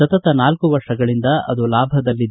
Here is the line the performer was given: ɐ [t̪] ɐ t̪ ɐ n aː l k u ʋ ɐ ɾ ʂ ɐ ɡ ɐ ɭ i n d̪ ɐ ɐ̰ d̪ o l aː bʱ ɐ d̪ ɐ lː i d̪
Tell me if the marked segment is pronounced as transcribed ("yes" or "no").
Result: yes